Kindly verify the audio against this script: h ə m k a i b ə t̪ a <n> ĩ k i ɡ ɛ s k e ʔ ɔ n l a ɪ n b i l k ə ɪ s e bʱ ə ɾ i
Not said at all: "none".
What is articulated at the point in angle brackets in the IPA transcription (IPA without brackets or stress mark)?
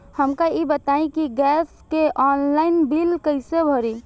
none